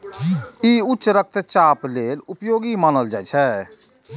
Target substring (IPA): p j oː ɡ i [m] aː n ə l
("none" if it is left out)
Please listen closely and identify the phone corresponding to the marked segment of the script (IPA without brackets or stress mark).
m